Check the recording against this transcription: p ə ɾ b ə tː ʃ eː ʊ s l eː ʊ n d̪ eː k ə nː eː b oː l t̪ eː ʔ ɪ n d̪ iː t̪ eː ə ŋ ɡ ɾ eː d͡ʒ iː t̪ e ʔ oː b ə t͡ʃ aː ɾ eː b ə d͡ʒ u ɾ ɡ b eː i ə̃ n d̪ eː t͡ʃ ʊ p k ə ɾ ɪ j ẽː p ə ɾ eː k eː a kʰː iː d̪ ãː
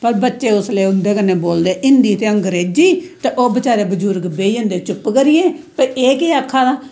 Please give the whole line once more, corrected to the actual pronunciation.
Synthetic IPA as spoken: p ə ɾ b ə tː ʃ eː ʊ s l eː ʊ n d̪ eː k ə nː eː b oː l d̪ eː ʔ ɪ n d̪ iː t̪ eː ə ŋ ɡ ɾ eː d͡ʒ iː t̪ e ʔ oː b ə t͡ʃ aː ɾ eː b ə d͡ʒ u ɾ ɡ b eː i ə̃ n d̪ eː t͡ʃ ʊ p k ə ɾ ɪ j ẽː p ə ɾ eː k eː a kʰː aː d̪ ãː

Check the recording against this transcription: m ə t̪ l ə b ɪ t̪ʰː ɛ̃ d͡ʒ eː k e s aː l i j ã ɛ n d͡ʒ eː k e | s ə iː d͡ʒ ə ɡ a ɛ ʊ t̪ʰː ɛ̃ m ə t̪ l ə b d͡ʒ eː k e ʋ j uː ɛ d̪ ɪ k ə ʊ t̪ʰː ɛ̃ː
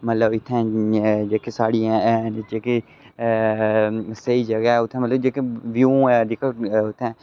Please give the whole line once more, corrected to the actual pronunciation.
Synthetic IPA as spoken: m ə t̪ l ə b ɪ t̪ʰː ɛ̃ d͡ʒ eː k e s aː ɽ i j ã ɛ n d͡ʒ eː k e | s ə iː d͡ʒ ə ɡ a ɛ ʊ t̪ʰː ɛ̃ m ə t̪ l ə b d͡ʒ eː k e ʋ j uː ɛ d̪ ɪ k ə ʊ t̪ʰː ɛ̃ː

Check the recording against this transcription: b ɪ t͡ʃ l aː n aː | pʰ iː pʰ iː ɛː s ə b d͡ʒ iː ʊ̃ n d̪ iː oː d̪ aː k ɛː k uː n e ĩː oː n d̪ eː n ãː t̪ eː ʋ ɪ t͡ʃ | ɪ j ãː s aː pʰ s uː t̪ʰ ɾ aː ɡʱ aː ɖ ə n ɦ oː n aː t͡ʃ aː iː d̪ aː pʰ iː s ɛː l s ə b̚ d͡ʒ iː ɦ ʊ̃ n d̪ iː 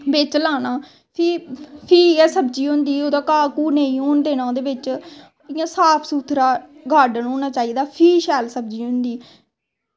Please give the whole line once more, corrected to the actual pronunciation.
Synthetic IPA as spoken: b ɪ t͡ʃ l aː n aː | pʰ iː pʰ iː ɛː s ə b d͡ʒ iː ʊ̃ n d̪ iː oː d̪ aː k aː k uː n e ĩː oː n d̪ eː n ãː d̪ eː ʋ ɪ t͡ʃ | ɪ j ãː s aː pʰ s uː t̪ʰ ɾ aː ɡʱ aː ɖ ə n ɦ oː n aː t͡ʃ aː iː d̪ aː pʰ iː ʃ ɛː l s ə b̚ d͡ʒ iː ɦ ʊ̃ n d̪ iː

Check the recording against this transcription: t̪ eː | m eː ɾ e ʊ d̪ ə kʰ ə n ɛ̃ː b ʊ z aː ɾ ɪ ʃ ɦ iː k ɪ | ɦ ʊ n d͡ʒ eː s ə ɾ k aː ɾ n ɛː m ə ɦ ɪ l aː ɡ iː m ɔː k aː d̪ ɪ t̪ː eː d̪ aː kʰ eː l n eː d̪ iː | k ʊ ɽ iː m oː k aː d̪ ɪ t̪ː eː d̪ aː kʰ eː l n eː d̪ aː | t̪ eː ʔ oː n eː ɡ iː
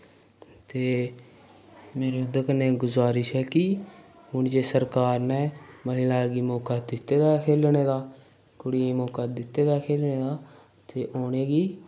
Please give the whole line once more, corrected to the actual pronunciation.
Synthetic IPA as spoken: t̪ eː | m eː ɾ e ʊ d̪ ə k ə n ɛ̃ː ɡ ʊ z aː ɾ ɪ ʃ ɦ ɛː k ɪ | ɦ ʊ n d͡ʒ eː s ə ɾ k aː ɾ n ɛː m ə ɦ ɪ l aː ɡ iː m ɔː k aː d̪ ɪ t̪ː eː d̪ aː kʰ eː l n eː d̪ aː | k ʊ ɽ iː m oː k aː d̪ ɪ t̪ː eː d̪ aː kʰ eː l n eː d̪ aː | t̪ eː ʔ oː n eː ɡ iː

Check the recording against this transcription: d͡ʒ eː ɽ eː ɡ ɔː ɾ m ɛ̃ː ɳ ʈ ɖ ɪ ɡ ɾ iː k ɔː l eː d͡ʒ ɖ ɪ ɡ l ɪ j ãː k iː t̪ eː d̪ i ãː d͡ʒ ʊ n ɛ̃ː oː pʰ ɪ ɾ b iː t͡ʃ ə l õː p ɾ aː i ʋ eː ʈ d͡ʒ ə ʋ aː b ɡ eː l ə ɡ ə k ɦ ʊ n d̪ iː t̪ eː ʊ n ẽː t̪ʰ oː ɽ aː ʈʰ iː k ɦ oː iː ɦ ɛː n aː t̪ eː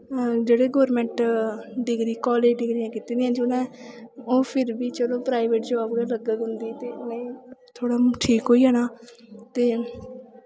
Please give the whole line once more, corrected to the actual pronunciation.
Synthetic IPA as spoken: d͡ʒ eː ɽ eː ɡ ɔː ɾ m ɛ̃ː ɳ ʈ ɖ ɪ ɡ ɾ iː k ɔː l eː d͡ʒ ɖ ɪ ɡ ɾ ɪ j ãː k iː t̪ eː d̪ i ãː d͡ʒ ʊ n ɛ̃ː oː pʰ ɪ ɾ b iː t͡ʃ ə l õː p ɾ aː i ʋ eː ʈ d͡ʒ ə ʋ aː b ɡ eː l ə ɡ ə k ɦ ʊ n d̪ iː t̪ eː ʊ n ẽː t̪ʰ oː ɽ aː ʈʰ iː k ɦ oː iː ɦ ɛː n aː t̪ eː

